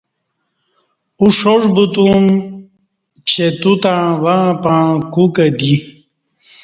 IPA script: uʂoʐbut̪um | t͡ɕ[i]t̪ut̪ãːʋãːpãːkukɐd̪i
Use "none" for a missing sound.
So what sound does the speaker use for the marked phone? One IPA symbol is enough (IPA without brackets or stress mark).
e